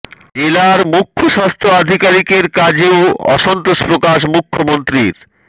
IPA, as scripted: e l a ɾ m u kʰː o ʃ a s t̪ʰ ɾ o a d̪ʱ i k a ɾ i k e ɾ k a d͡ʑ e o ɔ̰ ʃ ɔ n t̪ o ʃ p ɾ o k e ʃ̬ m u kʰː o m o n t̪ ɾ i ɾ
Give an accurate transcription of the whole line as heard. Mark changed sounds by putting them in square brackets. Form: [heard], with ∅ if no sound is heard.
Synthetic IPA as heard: e l a ɾ m u kʰː o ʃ a s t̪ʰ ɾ o a d̪ʱ i k a ɾ i k e ɾ k a d͡ʑ e o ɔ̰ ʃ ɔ n t̪ o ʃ p ɾ o k [a] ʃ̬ m u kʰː o m o n t̪ ɾ i ɾ